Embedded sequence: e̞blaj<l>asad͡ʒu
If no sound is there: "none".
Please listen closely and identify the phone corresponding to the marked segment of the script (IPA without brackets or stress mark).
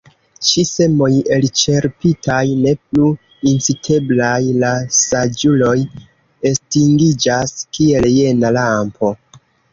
l